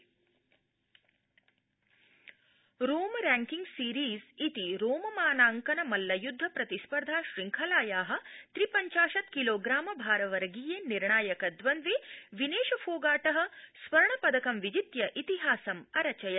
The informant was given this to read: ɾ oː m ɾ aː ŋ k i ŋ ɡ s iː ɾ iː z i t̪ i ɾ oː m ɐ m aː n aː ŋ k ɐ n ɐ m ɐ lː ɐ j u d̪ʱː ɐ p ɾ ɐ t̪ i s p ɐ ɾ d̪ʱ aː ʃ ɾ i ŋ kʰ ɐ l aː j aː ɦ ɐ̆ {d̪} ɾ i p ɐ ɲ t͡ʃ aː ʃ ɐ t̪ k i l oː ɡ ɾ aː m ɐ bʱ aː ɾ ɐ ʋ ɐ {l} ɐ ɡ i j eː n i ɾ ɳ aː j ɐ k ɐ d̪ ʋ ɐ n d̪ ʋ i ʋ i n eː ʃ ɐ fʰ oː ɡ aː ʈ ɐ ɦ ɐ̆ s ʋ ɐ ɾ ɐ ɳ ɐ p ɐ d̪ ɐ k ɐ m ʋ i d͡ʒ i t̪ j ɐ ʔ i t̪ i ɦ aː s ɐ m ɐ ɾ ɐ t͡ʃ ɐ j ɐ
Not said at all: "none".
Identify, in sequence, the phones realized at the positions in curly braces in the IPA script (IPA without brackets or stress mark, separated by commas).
t̪, ɾ